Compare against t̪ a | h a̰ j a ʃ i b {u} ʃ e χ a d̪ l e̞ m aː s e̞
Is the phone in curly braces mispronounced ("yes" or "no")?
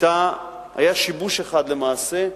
no